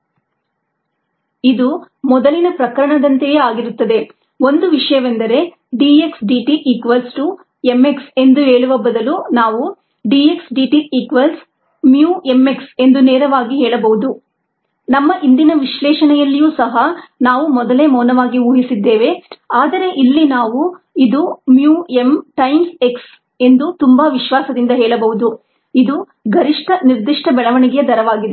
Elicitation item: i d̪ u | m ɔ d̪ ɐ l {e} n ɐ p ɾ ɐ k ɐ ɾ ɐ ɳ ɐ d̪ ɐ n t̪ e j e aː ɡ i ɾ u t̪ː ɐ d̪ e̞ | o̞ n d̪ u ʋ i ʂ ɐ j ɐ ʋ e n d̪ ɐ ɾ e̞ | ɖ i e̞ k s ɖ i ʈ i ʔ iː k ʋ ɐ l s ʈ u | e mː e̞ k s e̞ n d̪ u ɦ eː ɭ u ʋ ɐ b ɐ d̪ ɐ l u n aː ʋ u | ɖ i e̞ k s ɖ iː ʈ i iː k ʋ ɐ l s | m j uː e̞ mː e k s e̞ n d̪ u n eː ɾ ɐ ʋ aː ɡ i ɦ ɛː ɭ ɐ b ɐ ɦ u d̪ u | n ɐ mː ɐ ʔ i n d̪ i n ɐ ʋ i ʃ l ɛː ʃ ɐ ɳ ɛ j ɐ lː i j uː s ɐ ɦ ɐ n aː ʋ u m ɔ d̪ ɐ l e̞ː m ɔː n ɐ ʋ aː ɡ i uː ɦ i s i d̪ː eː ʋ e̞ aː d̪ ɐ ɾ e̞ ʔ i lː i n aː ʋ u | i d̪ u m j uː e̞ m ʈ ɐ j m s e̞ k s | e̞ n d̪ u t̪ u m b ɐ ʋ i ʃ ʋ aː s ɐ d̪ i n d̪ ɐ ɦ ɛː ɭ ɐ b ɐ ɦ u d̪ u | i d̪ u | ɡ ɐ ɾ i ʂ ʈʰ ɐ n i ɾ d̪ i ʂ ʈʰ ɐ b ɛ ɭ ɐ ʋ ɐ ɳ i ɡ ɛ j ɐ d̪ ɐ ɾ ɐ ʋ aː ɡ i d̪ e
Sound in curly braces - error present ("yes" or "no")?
yes